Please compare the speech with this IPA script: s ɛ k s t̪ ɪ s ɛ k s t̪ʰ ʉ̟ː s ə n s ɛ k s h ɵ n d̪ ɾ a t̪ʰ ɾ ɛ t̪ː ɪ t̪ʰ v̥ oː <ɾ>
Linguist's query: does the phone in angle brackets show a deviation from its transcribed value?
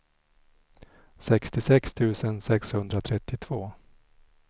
yes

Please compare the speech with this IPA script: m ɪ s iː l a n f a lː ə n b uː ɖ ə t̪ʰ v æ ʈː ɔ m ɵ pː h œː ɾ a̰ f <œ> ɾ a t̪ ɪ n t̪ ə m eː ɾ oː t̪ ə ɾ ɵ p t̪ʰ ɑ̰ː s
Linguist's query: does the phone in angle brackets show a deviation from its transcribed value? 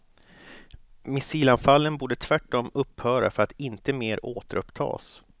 no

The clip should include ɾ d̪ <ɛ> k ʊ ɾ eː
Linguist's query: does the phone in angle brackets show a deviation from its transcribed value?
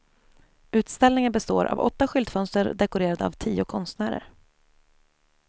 no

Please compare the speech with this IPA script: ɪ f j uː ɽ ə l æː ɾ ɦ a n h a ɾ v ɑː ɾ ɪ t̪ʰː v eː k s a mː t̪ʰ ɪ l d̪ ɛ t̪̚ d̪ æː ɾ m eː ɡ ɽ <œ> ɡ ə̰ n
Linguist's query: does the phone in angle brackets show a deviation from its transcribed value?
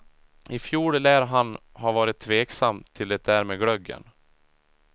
no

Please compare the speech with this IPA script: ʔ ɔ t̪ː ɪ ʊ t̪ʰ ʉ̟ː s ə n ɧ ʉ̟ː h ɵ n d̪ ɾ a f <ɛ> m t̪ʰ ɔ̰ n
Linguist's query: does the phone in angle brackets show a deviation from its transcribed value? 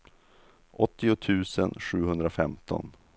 no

